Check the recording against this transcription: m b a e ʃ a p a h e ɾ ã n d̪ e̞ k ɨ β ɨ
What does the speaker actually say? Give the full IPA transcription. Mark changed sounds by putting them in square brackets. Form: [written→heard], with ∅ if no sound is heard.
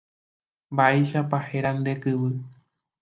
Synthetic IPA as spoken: m b a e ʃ a p a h e ɾ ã n d̪ e̞ k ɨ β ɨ